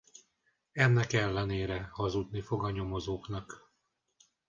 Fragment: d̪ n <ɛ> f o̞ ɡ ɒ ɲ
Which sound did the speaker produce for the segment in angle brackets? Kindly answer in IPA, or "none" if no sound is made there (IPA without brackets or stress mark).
i